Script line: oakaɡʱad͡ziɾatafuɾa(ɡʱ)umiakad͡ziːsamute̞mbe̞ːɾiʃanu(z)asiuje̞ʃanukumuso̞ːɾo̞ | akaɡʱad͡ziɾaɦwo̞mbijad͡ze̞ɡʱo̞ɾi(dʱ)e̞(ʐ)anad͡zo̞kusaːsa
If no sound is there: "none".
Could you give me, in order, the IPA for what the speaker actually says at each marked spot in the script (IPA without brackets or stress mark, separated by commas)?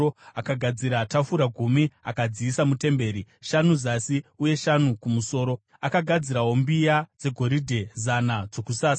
ɡʱ, z, dʱ, z